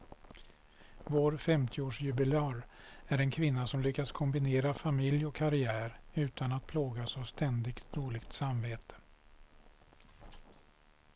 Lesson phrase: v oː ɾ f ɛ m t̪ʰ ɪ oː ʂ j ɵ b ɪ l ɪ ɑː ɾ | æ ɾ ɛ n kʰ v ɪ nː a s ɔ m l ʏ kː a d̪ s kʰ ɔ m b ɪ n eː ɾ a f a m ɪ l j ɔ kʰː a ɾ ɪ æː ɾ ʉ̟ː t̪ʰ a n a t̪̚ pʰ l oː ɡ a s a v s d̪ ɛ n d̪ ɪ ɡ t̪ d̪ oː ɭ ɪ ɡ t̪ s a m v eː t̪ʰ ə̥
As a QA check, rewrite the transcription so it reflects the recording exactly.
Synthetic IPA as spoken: v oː ɾ f ɛ m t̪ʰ ɪ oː ʂ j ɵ b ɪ l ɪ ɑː ɾ | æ ɾ ɛ n kʰ v ɪ nː a s ɔ m l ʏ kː a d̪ s kʰ ɔ m b ɪ n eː ɾ a f a m ɪ l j ɔ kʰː a ɾ ɪ æː ɾ ʉ̟ː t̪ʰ a n a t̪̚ pʰ l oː ɡ a s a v s t̪ ɛ n d̪ ɪ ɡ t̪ d̪ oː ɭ ɪ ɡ t̪ s a m v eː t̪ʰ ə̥